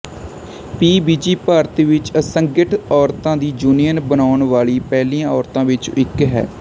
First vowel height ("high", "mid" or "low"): high